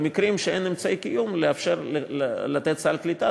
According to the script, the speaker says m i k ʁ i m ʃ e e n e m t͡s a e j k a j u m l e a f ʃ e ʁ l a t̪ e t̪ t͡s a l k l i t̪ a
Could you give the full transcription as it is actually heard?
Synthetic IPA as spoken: m i k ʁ i m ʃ e e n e m t͡s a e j k i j u m l e a f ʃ e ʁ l a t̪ e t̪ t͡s a l k l i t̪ a